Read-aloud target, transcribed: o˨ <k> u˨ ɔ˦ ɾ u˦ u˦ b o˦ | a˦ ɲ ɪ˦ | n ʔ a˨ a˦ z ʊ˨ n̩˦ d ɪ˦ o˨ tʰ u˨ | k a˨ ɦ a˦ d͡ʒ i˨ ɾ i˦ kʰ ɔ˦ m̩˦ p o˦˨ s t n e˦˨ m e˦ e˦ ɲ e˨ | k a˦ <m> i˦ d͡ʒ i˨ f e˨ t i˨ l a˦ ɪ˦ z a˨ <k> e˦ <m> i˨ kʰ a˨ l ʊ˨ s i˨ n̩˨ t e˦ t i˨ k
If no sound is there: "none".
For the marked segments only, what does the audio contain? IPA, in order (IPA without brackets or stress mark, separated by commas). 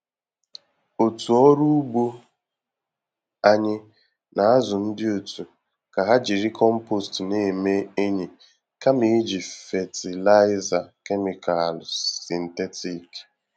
t, m, k, m